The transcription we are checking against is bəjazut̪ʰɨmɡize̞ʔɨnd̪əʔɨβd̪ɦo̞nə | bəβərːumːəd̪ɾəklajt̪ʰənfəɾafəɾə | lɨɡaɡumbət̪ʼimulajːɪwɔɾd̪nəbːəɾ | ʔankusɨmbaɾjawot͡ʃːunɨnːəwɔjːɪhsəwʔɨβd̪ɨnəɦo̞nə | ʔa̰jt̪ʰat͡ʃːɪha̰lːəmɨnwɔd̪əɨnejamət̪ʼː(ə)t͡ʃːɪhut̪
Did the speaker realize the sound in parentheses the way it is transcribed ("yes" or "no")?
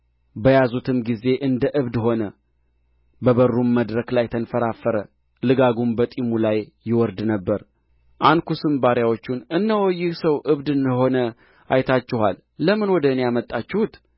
no